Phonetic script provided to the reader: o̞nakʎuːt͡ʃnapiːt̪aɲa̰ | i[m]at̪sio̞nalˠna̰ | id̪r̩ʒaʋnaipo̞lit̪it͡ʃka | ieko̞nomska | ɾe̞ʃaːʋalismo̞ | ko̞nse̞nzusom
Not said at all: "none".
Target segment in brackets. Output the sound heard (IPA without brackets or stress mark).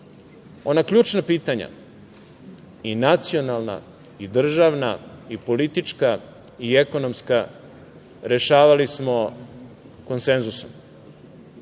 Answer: n